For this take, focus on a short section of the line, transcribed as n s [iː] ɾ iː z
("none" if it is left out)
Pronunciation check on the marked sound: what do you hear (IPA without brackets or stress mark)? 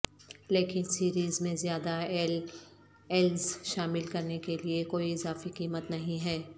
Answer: iː